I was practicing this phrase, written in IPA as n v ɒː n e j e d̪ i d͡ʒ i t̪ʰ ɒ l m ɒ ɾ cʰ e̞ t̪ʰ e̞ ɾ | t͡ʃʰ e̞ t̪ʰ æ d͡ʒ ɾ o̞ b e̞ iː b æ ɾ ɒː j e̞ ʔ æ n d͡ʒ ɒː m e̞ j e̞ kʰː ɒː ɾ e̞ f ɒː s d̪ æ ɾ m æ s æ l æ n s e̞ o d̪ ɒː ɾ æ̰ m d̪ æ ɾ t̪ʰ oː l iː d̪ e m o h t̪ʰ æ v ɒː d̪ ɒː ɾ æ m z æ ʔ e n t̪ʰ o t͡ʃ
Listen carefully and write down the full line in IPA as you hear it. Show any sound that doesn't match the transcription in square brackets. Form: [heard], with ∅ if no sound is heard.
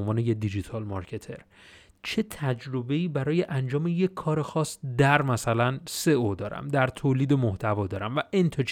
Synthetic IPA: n v ɒː n e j e d̪ i d͡ʒ i t̪ʰ ɒ l m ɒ ɾ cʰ e̞ t̪ʰ e̞ ɾ | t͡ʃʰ e̞ t̪ʰ æ d͡ʒ ɾ o̞ b e̞ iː b æ ɾ ɒː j e̞ ʔ æ n d͡ʒ ɒː m e̞ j e̞ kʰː ɒː ɾ e̞ [x] ɒː s d̪ æ ɾ m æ s æ l æ n s e̞ o d̪ ɒː ɾ æ̰ m d̪ æ ɾ t̪ʰ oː l iː d̪ e m o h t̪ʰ æ v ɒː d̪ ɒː ɾ æ m [v] æ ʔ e n t̪ʰ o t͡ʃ